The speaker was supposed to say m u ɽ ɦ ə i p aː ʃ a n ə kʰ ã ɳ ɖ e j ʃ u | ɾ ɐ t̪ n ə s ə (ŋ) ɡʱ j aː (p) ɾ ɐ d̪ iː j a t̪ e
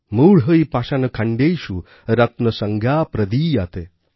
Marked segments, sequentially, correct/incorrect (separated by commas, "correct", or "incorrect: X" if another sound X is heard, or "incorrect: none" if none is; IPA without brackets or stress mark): correct, correct